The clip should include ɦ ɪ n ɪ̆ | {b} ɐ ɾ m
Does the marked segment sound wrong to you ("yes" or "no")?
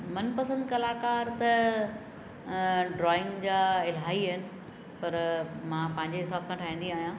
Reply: yes